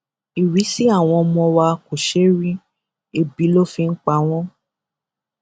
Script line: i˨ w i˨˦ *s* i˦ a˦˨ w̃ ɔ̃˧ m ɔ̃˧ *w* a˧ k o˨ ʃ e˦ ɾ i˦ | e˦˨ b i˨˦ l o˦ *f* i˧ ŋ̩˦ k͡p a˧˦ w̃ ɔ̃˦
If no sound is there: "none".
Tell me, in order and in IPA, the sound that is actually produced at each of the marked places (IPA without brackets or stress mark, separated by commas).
s, w, f